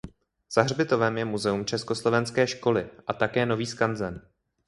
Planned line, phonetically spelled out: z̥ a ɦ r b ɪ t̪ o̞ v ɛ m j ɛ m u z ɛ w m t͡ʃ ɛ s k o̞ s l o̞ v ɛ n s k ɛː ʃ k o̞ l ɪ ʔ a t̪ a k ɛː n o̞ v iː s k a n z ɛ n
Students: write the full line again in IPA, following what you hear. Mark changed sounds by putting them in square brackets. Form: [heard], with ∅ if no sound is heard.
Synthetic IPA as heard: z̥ a ɦ r b ɪ t̪ o̞ v ɛ m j ɛ m u z ɛ [u] m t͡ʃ ɛ s k o̞ s l o̞ v ɛ n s k ɛː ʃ k o̞ l ɪ ʔ a t̪ a k ɛː n o̞ v iː s k a n z ɛ n